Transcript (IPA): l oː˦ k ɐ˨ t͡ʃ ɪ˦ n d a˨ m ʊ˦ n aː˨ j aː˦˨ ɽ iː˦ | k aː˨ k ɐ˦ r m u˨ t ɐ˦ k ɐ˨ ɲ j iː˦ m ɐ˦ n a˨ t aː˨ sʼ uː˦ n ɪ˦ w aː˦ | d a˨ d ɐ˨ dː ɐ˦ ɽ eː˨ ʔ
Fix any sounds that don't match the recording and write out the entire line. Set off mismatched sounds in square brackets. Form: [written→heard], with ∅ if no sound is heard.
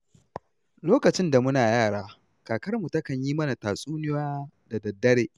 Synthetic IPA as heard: l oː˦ k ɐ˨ t͡ʃ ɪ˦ n d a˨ m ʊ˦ n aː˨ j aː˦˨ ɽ [iː˦→aː˦] | k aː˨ k ɐ˦ r m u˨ t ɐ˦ k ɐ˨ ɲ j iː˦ m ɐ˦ n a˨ t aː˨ sʼ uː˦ n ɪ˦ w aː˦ | d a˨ d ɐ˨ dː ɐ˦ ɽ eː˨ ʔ